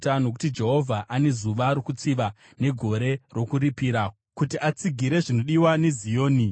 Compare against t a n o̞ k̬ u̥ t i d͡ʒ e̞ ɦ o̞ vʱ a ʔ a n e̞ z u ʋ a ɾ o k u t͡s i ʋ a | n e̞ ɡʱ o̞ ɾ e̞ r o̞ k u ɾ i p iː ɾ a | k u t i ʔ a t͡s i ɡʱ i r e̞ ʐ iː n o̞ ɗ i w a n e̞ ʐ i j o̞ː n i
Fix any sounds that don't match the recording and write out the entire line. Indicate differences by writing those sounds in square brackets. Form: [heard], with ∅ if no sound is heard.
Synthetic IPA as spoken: t a n o̞ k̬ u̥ t i d͡ʒ e̞ ɦ o̞ vʱ a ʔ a n e̞ z u ʋ a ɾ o k u t͡s i ʋ a | n e̞ ɡʱ o̞ ɾ e̞ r o̞ k u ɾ i p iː ɾ a | k u t i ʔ a t͡s i ɡʱ i [ɾ] e̞ ʐ [i] n o̞ ɗ i w a n e̞ [z] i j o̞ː n i